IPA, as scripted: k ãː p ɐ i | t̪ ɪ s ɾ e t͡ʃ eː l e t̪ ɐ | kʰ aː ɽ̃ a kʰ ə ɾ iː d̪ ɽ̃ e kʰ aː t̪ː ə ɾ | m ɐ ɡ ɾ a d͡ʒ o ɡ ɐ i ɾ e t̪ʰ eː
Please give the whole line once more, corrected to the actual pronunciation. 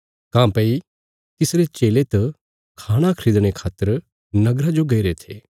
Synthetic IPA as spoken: k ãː p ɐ i | t̪ ɪ s ɾ e t͡ʃ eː l e t̪ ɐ | kʰ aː ɽ̃ a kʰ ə ɾ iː d̪ ɽ̃ e kʰ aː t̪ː ə ɾ | n ɐ ɡ ɾ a d͡ʒ o ɡ ɐ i ɾ e t̪ʰ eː